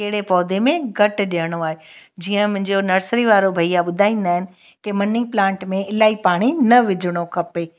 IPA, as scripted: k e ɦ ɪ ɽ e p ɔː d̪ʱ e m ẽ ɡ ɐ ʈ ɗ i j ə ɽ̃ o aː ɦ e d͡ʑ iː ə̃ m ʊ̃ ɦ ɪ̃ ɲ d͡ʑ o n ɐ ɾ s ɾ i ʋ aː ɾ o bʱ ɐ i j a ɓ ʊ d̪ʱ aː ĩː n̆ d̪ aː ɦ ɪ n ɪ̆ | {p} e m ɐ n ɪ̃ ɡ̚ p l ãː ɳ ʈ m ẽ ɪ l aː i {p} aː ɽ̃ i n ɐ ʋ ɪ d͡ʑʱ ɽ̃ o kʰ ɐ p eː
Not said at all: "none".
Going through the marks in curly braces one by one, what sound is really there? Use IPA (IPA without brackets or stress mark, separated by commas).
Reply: k, p